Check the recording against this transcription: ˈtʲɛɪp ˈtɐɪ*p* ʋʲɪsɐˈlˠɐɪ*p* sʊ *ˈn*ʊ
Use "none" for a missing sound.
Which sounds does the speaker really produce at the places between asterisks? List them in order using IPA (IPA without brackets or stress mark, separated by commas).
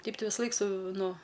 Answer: none, k, n